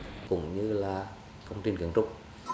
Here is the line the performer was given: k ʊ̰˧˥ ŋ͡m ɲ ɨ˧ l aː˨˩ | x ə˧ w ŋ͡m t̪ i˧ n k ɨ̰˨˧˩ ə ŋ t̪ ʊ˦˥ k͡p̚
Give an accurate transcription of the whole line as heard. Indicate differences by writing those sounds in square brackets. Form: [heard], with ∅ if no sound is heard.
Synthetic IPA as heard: k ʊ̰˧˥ ŋ͡m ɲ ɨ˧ l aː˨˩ | [k] ə˧ w ŋ͡m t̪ i˧ n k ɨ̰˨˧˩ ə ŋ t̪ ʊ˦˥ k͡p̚